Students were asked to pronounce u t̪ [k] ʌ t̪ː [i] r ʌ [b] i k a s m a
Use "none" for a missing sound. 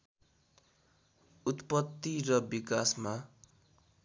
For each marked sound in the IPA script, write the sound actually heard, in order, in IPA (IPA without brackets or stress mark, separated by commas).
p, i, b